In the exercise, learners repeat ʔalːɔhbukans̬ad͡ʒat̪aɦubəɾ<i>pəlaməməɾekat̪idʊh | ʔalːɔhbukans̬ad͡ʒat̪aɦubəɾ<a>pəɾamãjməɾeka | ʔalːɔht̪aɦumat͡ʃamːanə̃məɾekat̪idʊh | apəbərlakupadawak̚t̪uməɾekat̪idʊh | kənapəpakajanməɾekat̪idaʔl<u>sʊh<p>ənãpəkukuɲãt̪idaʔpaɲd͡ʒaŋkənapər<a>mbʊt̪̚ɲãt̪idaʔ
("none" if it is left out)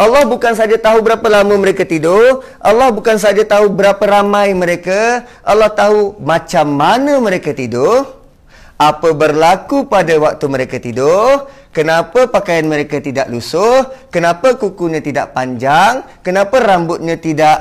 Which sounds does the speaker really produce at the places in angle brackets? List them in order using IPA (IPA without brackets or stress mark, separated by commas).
a, a, u, k, a